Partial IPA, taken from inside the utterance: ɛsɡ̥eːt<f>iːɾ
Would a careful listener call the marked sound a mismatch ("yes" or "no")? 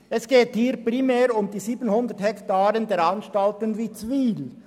yes